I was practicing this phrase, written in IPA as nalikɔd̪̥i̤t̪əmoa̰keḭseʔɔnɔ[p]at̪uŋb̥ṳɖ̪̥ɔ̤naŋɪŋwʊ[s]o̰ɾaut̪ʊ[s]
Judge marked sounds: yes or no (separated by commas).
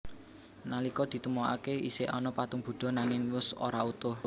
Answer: yes, yes, no